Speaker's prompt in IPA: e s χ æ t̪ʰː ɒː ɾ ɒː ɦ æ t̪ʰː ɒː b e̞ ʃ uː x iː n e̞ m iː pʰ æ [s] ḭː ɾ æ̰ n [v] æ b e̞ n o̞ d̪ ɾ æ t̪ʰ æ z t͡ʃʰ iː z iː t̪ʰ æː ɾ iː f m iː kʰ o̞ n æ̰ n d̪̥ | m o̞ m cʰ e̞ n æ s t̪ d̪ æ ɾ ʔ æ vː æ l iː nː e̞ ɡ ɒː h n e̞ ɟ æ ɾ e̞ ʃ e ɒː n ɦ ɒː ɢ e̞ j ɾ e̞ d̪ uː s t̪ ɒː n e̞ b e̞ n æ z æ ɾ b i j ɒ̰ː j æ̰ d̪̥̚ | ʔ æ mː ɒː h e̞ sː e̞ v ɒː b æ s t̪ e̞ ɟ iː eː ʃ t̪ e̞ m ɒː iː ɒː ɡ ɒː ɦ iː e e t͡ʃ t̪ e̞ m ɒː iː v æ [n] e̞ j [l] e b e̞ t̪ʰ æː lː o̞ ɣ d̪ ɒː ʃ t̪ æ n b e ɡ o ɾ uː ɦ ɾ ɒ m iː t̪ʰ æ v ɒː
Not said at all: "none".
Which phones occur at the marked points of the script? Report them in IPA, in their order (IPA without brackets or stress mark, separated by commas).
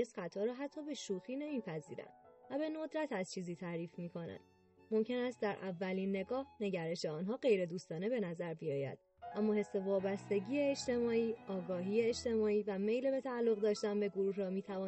z, v, m, l